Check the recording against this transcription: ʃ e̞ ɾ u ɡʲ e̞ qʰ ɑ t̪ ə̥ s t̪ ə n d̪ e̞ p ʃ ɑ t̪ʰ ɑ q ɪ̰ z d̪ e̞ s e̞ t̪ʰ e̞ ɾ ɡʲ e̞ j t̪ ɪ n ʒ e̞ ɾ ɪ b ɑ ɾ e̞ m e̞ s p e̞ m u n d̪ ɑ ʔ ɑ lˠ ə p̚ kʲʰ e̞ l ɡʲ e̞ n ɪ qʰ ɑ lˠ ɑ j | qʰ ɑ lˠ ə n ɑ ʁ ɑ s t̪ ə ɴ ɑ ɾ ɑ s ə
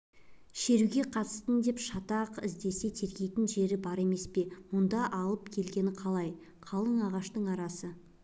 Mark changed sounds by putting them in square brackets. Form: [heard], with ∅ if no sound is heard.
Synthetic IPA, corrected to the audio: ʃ e̞ ɾ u ɡʲ e̞ qʰ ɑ t̪ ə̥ s t̪ ə n d̪ e̞ p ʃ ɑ [t̪] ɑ q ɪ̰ z d̪ e̞ s e̞ t̪ʰ e̞ ɾ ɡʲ e̞ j t̪ ɪ n ʒ e̞ ɾ ɪ b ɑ ɾ e̞ m e̞ s p e̞ m [ʊ] n d̪ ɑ ʔ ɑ lˠ ə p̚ kʲʰ e̞ l ɡʲ e̞ n ɪ qʰ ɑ lˠ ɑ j | qʰ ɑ lˠ ə [ɴ] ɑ ʁ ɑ [ʃ] t̪ ə ɴ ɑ ɾ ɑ s ə